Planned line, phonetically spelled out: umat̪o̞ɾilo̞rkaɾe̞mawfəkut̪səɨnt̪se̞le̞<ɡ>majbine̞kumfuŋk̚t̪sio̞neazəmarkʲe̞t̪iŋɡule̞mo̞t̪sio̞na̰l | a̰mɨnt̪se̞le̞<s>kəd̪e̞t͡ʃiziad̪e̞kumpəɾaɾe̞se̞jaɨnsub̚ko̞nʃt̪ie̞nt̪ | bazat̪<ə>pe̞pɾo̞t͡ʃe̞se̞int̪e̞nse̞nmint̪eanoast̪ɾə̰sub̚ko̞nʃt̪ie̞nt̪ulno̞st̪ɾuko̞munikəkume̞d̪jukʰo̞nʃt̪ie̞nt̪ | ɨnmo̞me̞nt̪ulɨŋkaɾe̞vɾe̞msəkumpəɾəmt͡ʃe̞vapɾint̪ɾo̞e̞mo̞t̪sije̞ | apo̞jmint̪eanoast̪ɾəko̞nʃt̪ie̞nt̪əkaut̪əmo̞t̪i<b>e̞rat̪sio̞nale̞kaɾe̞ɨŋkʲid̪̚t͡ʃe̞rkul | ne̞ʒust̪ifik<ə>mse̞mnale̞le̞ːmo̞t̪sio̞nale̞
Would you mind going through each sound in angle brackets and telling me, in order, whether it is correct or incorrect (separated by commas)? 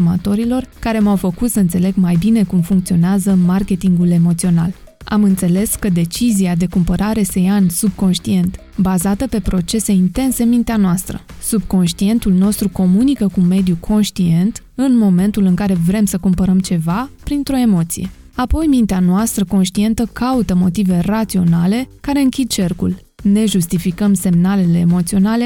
correct, correct, correct, incorrect, correct